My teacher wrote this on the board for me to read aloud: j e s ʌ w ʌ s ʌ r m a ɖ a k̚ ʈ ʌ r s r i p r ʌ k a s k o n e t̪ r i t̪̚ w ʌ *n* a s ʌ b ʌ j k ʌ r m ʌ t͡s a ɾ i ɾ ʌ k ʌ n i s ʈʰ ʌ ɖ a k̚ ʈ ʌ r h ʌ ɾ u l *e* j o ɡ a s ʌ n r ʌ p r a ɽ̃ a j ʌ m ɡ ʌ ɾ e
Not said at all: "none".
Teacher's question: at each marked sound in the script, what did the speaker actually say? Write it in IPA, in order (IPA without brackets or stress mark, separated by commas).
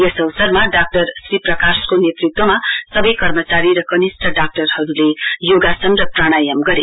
m, e